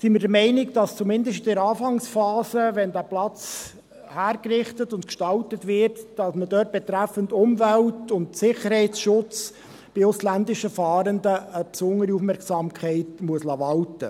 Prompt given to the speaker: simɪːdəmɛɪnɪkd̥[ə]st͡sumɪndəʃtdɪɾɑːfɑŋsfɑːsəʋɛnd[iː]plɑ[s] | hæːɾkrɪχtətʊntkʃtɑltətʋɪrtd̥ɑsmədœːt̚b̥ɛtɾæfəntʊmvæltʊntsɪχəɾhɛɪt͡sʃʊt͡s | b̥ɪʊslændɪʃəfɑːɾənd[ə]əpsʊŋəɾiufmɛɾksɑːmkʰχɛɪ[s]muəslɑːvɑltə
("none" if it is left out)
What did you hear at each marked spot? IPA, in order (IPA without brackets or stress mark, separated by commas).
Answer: ɑ, æː, t͡s, ə, t